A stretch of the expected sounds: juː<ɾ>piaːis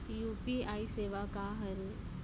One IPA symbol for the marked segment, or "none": none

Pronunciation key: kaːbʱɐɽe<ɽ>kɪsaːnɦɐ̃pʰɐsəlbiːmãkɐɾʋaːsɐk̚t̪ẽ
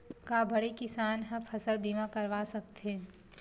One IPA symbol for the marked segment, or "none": none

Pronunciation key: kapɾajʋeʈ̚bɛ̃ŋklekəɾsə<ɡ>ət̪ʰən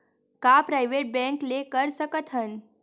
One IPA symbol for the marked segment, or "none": k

